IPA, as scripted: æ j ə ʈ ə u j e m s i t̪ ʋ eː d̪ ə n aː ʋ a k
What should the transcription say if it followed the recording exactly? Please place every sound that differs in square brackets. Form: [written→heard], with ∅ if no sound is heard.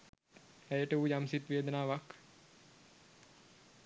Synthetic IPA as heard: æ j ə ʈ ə u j [e→a] m s i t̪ ʋ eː d̪ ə n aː ʋ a k